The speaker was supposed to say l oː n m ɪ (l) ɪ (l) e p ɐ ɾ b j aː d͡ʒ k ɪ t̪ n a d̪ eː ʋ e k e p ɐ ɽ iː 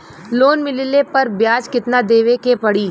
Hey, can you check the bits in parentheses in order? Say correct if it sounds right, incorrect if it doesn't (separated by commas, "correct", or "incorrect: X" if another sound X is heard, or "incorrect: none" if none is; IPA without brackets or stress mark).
correct, correct